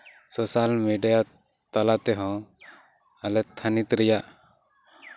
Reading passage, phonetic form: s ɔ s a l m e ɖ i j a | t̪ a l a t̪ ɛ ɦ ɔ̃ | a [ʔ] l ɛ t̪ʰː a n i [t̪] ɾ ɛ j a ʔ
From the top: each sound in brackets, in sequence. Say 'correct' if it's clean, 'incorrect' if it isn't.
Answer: incorrect, correct

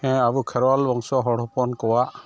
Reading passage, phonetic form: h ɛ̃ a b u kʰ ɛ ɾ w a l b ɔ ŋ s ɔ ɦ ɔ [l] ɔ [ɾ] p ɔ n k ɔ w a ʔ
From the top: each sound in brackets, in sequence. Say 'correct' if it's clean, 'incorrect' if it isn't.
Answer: incorrect, incorrect

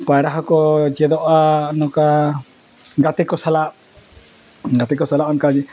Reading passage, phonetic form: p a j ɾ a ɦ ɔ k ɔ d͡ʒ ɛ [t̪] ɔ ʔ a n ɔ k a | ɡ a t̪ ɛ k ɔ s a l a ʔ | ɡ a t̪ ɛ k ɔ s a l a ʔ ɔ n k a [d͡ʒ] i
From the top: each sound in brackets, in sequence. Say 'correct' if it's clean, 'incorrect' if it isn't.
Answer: incorrect, correct

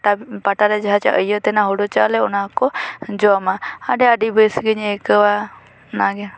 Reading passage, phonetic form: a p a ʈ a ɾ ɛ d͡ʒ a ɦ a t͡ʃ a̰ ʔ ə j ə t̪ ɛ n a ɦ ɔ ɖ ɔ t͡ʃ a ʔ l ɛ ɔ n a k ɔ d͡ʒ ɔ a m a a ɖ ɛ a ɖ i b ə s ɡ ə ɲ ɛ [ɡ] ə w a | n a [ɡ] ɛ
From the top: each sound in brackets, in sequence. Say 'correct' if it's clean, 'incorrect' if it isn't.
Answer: incorrect, correct

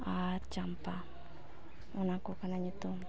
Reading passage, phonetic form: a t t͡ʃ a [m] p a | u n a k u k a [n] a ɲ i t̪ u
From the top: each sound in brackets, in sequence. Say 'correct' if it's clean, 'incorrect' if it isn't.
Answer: correct, correct

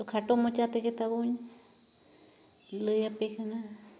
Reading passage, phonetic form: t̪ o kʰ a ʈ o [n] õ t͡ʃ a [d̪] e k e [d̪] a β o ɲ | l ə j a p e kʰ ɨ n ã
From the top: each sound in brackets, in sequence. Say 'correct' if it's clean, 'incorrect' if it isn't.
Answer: incorrect, incorrect, incorrect

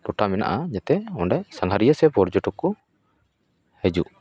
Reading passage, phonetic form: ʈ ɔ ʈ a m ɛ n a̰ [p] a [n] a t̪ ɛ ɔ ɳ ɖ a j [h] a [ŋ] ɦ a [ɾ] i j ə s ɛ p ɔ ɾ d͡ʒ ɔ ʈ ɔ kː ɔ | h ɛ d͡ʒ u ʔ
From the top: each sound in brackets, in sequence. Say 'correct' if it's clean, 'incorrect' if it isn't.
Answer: incorrect, incorrect, incorrect, correct, correct

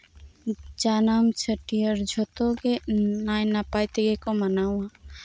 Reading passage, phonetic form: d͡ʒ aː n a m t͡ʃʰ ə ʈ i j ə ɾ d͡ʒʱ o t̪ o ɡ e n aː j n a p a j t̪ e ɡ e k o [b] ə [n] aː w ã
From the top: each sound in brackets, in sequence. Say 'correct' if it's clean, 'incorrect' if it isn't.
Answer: incorrect, correct

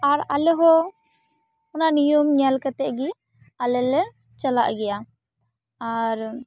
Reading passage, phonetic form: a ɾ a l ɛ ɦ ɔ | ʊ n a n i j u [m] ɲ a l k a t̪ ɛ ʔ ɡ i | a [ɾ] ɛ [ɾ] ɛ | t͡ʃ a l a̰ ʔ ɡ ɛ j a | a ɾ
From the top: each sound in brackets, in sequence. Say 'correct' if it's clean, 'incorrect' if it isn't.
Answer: correct, incorrect, incorrect

